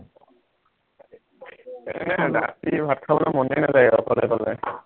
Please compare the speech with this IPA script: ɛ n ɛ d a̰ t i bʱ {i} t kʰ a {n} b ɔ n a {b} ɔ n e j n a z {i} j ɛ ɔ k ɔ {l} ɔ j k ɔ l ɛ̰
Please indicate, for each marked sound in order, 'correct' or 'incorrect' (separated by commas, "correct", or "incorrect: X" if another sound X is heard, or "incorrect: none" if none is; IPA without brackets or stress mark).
incorrect: a, incorrect: none, incorrect: m, incorrect: a, correct